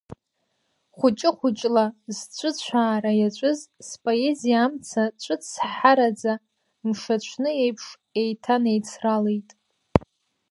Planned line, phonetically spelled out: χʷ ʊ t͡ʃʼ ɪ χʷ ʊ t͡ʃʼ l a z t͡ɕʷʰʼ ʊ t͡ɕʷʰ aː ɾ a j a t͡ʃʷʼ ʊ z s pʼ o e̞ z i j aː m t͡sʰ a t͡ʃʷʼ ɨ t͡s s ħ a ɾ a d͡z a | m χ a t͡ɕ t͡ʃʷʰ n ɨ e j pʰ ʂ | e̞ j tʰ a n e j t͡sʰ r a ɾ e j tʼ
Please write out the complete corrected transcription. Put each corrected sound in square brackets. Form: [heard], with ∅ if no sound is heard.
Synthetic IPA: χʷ ʊ t͡ʃʼ ɪ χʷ ʊ t͡ʃʼ l a z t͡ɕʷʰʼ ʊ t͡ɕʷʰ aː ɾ a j a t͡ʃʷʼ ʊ z s pʼ o e̞ z i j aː m t͡sʰ a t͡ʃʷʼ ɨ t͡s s ħ a ɾ a d͡z a | m [ʂ] a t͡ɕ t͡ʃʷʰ n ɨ e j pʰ ʂ | e̞ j tʰ a n e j t͡sʰ r a [l] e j tʼ